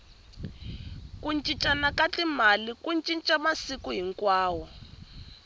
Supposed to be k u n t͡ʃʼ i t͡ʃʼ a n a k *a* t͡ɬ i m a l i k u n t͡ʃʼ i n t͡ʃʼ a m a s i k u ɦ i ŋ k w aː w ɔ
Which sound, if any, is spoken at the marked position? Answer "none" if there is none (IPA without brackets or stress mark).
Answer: a